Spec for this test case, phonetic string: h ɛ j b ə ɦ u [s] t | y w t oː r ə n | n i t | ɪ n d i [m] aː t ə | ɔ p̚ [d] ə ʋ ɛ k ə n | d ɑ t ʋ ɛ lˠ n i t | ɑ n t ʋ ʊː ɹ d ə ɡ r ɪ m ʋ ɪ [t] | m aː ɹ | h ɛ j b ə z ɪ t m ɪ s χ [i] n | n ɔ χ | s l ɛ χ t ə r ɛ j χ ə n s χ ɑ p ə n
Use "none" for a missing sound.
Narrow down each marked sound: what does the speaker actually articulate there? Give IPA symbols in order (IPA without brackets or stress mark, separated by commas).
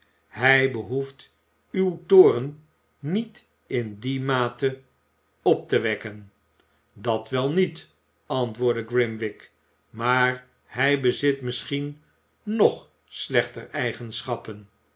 f, m, t, k, i